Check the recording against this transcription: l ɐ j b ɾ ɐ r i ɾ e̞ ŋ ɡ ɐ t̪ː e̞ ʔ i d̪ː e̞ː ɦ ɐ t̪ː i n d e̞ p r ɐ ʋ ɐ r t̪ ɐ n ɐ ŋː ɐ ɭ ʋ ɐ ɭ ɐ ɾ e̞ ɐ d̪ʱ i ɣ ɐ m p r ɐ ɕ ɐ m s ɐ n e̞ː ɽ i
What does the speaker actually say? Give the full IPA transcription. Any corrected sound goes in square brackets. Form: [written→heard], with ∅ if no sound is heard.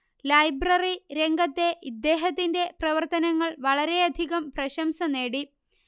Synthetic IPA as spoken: l ɐ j b [ɾ→r] ɐ r i ɾ e̞ ŋ ɡ ɐ t̪ː e̞ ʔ i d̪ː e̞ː ɦ ɐ t̪ː i n d e̞ p r ɐ ʋ ɐ r t̪ ɐ n ɐ ŋː ɐ ɭ ʋ ɐ ɭ ɐ ɾ e̞ ɐ d̪ʱ i ɣ ɐ m p r ɐ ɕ ɐ m s ɐ n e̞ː ɽ i